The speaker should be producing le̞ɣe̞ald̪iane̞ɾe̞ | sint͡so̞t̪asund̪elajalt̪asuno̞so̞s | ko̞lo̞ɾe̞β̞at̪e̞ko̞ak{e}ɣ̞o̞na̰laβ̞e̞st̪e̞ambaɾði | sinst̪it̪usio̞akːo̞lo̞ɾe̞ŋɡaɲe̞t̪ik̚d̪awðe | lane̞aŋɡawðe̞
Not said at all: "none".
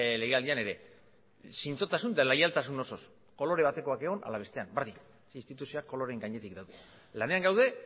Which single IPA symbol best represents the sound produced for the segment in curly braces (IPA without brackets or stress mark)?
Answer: e